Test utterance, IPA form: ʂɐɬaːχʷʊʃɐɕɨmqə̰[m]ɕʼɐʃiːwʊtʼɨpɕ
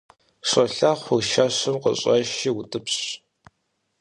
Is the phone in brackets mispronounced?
yes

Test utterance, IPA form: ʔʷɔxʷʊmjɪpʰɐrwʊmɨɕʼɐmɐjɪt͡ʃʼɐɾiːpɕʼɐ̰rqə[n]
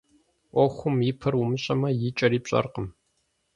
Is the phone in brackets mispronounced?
yes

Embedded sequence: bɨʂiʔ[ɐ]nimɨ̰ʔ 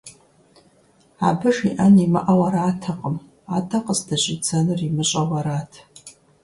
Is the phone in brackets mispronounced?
yes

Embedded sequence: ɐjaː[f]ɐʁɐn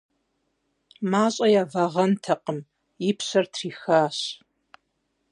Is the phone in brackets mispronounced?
yes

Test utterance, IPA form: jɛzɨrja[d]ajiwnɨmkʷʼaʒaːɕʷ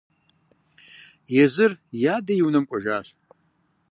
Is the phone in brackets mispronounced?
no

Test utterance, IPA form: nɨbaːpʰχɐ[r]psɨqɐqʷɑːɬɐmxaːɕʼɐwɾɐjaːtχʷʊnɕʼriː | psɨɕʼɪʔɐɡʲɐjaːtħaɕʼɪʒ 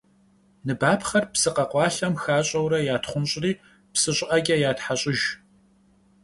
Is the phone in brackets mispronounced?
no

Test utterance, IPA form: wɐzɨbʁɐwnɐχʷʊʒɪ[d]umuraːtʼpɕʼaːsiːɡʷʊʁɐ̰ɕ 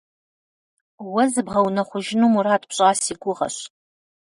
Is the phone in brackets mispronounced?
yes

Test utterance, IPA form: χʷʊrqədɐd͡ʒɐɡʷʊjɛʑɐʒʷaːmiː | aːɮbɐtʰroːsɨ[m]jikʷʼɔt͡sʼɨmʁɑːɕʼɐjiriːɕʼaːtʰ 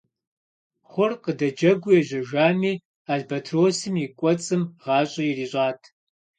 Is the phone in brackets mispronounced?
no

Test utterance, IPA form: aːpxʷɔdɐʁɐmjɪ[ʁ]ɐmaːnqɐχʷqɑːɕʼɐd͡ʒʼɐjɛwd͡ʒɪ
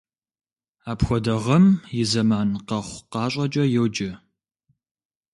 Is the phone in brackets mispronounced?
yes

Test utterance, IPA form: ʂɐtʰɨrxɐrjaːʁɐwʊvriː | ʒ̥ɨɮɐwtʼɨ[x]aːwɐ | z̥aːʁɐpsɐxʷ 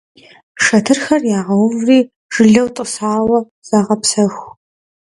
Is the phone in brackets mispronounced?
yes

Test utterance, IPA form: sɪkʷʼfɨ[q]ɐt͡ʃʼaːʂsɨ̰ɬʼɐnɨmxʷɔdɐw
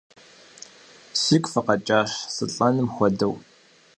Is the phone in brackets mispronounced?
no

